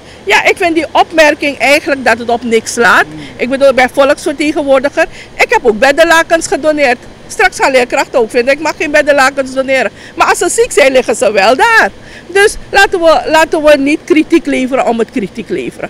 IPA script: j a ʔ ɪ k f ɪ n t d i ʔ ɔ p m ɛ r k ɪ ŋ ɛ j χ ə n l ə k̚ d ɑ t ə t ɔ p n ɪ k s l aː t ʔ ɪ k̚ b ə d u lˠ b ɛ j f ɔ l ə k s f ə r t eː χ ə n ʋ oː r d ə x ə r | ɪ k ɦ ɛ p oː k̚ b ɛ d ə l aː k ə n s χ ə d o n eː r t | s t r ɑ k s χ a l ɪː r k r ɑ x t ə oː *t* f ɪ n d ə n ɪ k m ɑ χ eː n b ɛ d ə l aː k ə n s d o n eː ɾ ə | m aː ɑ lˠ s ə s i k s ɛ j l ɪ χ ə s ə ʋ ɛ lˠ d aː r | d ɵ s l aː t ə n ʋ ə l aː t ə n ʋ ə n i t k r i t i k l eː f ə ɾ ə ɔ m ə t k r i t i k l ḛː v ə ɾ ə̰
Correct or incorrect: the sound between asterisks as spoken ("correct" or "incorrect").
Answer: incorrect